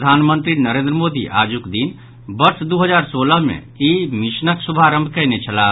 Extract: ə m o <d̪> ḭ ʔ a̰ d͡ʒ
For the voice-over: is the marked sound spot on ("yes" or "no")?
yes